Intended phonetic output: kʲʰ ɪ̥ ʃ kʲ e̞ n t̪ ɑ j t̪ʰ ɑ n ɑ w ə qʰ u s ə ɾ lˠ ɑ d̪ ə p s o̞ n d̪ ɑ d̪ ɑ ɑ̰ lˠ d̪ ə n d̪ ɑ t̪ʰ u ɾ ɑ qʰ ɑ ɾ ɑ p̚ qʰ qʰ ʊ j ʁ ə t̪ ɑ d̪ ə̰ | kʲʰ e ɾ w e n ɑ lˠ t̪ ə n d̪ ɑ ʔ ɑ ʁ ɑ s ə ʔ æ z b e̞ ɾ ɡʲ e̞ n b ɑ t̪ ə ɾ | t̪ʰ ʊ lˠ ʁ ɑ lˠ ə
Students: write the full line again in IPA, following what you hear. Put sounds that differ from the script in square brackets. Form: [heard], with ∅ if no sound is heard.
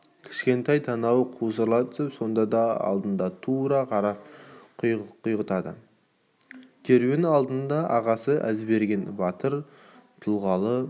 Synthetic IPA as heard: kʲʰ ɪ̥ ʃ kʲ e̞ n t̪ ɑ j t̪ʰ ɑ n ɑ w ə qʰ u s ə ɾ lˠ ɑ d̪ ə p s o̞ n d̪ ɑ d̪ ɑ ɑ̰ lˠ d̪ ə n d̪ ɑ t̪ʰ u ɾ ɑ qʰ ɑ ɾ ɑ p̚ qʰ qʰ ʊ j ʁ ə t̪ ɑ d̪ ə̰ | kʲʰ e ɾ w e n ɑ lˠ [d̪] ə n d̪ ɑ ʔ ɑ ʁ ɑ s ə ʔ æ z b e̞ ɾ ɡʲ e̞ n b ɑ t̪ ə ɾ | t̪ʰ ʊ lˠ ʁ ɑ lˠ ə